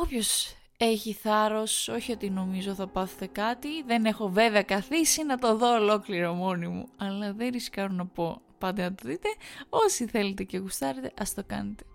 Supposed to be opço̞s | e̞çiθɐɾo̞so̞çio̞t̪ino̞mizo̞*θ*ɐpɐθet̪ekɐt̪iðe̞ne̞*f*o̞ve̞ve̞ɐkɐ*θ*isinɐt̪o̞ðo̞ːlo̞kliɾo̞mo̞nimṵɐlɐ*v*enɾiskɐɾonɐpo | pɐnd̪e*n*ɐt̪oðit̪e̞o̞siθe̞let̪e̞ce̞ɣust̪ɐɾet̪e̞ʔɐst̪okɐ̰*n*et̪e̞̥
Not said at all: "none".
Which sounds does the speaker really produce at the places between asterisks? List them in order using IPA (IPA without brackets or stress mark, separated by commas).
θ, x, θ, ð, n, n